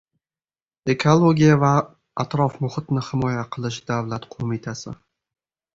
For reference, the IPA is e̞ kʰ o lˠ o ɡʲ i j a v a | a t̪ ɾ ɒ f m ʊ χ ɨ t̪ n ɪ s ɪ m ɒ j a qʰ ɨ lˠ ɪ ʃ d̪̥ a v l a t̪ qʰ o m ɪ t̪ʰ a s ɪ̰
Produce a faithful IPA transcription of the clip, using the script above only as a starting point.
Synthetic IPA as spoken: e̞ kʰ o lˠ o ɡʲ i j a v a | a t̪ ɾ ɒ f m ʊ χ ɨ t̪ n ɪ h ɪ m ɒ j a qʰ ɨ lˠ ɪ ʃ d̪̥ a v l a t̪ qʰ o m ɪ t̪ʰ a s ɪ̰